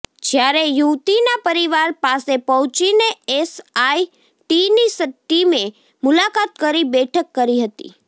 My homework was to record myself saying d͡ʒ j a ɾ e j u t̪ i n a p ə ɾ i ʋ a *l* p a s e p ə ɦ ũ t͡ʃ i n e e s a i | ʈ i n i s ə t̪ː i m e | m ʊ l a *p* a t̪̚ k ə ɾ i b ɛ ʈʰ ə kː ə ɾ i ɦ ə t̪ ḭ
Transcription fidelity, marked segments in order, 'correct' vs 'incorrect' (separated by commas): incorrect, incorrect